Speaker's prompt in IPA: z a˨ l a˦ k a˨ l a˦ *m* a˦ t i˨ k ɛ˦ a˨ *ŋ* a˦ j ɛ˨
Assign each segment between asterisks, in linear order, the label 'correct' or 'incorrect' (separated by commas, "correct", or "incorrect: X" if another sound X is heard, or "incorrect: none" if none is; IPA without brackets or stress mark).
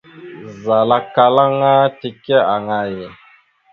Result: incorrect: ŋ, correct